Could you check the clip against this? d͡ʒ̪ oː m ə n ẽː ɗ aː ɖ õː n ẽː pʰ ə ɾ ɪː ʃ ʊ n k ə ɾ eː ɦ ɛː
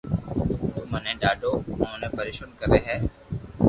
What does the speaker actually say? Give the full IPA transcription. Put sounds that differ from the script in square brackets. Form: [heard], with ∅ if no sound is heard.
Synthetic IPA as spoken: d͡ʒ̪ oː m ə n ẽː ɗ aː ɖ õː n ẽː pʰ ə ɾ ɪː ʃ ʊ n k ə ɾ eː ɦ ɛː